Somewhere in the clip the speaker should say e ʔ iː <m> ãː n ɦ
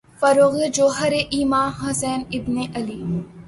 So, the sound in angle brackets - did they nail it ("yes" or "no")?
yes